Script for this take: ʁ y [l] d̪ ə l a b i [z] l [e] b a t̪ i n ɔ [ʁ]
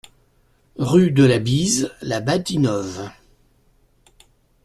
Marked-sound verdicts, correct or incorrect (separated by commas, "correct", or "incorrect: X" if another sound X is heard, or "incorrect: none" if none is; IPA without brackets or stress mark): incorrect: none, correct, incorrect: a, incorrect: v